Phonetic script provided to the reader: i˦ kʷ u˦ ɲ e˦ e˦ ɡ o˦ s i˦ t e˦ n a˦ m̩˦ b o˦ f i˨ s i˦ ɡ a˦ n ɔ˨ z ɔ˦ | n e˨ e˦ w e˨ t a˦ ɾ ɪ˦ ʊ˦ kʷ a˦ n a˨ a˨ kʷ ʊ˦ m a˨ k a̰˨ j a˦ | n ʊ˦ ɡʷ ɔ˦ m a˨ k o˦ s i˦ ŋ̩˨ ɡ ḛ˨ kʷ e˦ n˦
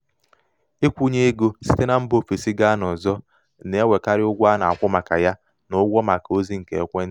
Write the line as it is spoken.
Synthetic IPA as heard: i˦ kʷ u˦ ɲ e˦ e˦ ɡ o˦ s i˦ t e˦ n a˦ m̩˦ b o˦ f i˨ s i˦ ɡ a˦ n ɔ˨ z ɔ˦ | n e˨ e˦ w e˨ k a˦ ɾ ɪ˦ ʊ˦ ɡʷ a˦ n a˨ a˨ kʷ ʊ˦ m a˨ k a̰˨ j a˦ | n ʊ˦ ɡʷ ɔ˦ m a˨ k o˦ z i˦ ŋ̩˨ k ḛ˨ kʷ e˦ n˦